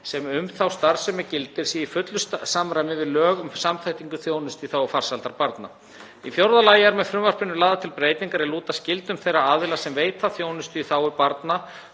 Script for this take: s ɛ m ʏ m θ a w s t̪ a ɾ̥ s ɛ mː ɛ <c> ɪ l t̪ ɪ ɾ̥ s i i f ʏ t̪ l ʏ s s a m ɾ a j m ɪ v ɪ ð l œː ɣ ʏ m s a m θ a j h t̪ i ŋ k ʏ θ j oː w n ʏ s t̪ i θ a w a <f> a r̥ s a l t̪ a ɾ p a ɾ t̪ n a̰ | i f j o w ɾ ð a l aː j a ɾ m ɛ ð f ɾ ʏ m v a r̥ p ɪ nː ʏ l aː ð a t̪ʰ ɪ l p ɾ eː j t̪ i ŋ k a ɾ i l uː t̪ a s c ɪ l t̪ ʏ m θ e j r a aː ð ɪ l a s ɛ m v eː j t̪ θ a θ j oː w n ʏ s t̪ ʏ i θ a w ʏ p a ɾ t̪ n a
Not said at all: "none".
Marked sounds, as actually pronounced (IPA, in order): c, f

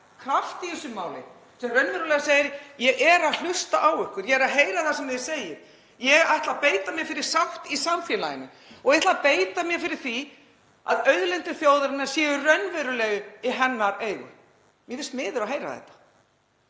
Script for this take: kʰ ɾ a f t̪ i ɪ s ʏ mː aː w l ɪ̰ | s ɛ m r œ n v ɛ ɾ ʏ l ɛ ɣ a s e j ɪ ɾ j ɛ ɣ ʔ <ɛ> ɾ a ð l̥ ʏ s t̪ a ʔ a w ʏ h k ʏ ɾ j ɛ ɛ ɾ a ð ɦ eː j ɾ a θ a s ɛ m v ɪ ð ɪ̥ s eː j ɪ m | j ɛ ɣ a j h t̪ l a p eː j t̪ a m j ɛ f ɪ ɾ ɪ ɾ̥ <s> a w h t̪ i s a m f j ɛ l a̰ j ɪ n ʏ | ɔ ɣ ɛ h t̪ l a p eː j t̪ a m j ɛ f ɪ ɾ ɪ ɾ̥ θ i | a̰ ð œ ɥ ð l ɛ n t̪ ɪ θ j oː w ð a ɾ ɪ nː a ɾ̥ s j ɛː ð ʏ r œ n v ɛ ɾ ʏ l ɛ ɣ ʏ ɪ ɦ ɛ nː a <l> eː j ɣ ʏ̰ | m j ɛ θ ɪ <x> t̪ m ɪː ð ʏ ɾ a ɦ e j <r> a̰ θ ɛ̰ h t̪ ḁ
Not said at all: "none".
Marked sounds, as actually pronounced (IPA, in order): ɛ, s, ɾ, s, ɾ

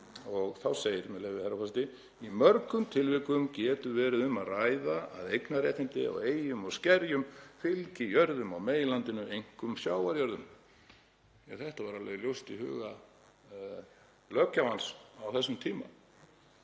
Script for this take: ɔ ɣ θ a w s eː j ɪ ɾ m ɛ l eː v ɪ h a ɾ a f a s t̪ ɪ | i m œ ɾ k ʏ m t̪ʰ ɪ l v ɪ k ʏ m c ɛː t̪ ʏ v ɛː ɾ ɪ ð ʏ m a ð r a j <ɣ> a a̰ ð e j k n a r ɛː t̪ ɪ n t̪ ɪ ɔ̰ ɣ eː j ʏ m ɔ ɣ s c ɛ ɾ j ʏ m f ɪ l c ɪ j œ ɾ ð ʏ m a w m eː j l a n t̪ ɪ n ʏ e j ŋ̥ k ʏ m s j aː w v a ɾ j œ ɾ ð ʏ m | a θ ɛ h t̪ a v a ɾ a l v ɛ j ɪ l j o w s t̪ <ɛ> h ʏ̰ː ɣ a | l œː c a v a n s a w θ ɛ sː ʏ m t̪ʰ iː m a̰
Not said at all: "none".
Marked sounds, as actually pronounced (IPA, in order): ð, i

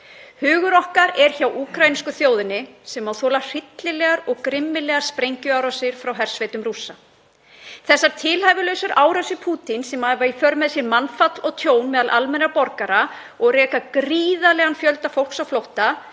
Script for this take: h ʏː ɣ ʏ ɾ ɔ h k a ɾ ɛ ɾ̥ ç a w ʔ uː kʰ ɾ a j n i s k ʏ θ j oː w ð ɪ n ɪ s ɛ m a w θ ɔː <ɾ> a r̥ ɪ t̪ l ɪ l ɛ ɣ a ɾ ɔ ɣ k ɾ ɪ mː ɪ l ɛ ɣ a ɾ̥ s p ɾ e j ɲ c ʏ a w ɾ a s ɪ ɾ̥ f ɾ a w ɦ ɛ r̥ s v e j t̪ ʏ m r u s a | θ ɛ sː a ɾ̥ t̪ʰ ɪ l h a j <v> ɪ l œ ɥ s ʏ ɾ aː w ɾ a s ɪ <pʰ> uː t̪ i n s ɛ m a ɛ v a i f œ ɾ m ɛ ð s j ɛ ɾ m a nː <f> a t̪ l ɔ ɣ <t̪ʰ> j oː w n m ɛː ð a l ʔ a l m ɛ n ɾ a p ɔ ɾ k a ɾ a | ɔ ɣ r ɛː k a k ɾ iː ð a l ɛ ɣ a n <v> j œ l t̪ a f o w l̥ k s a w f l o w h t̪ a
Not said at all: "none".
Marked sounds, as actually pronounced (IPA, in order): l, v, pʰ, f, t̪ʰ, f

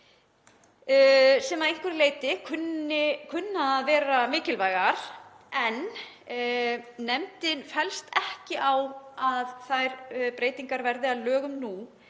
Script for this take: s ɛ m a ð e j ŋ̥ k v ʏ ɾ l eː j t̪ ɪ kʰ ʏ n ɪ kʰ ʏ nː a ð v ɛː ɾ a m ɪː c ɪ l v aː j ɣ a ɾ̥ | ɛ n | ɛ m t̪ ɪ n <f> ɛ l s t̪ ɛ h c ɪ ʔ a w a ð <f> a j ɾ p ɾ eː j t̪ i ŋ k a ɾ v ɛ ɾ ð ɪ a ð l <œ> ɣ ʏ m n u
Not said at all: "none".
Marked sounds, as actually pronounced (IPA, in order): f, θ, œː

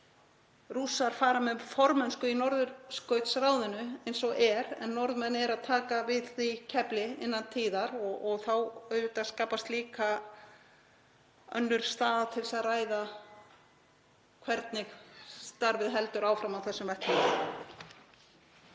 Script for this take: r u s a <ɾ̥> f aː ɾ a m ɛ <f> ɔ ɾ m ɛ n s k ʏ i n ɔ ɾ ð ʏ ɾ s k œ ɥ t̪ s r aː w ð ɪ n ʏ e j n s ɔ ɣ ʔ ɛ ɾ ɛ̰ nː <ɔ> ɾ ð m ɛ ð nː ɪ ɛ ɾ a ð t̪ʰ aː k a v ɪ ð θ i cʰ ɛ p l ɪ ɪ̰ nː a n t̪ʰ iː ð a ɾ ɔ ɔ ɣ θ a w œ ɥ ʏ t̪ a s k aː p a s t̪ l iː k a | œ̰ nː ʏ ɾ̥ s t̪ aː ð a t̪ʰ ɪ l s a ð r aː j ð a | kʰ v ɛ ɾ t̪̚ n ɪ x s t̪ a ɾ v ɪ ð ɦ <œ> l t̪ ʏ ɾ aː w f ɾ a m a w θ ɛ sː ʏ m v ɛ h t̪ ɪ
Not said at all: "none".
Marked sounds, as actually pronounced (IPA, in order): ɾ̥, f, ɔ, ɛ

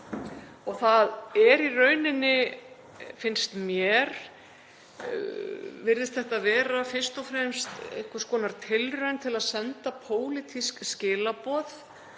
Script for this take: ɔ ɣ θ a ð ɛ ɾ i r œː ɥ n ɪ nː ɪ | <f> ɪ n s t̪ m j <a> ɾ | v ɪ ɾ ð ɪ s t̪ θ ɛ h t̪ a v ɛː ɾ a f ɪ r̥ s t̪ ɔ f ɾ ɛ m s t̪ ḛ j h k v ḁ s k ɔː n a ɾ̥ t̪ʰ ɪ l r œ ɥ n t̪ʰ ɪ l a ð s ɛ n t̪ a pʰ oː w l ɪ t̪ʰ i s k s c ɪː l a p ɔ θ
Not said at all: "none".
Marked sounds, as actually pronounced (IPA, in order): f, ɛ

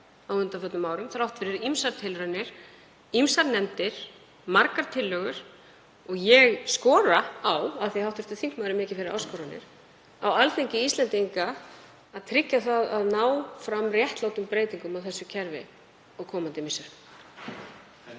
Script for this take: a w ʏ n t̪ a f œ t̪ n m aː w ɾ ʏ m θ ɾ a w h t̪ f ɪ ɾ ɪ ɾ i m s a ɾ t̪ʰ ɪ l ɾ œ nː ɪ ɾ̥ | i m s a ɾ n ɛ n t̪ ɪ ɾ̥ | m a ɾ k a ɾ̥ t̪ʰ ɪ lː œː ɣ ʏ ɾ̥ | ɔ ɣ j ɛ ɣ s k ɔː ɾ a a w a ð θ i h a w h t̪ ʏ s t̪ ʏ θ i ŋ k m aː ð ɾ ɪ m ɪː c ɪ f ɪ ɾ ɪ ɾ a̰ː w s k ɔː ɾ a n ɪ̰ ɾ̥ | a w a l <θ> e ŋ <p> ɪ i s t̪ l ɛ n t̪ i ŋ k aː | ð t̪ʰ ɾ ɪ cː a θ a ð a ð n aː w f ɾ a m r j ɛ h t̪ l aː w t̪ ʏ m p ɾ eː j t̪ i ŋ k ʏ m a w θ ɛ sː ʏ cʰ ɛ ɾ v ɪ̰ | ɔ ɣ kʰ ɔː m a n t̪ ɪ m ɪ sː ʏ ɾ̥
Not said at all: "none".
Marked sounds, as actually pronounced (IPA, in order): θ, c

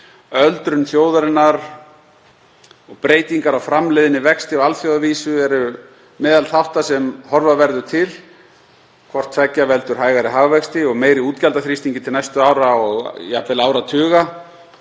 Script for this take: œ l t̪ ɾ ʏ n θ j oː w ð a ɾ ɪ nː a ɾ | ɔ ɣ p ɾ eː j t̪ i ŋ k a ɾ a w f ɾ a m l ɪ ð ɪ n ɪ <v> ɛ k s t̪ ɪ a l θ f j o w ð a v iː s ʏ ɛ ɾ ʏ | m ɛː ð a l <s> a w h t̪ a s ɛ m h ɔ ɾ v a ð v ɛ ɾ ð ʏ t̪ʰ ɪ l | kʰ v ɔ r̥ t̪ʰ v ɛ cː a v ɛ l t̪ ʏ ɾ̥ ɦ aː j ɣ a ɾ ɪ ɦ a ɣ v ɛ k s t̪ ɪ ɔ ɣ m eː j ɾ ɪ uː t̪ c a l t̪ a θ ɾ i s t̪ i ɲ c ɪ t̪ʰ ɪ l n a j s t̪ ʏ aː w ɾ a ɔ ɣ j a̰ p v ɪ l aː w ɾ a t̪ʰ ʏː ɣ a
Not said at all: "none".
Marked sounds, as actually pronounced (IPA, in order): v, θ

